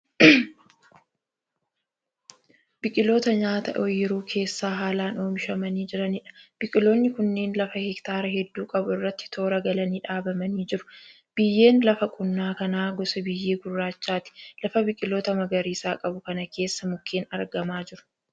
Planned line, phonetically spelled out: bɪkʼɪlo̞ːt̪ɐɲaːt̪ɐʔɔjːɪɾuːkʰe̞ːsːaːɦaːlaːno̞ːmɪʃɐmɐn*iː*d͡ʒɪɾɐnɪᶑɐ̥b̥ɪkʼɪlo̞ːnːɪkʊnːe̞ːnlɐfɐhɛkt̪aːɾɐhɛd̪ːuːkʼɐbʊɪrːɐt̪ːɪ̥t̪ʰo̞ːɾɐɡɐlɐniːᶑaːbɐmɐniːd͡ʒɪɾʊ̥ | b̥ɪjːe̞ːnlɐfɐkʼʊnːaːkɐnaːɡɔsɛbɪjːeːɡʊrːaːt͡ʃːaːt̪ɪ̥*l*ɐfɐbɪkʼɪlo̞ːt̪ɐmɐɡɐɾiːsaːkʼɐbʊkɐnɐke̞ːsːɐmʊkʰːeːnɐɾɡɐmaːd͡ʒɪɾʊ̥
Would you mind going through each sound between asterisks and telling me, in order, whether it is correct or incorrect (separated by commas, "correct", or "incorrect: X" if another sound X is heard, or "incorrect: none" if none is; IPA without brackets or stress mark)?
correct, correct